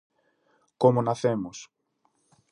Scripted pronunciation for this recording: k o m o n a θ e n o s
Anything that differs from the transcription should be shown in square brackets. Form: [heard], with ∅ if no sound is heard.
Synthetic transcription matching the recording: k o m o n a θ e [m] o s